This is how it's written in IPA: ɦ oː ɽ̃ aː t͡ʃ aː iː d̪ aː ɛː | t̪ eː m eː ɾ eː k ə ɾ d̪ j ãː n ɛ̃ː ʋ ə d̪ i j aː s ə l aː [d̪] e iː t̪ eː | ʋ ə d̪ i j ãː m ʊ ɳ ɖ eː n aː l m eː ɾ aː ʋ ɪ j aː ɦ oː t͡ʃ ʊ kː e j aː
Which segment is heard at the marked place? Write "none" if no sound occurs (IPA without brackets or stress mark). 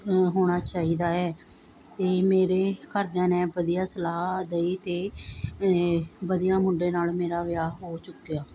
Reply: d̪